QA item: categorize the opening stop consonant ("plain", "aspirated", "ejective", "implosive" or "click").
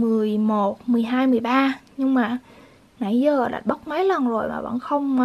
plain